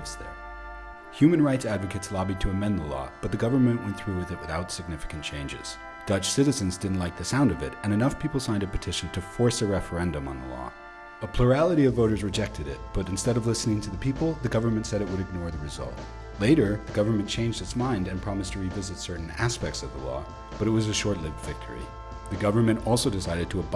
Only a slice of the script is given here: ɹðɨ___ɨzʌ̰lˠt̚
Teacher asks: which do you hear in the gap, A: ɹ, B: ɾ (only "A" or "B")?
A